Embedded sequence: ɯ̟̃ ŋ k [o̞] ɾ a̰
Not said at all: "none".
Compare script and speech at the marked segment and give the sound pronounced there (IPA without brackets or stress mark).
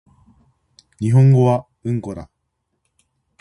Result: o̞